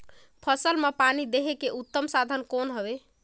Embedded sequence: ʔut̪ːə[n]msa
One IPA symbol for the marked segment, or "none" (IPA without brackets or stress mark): none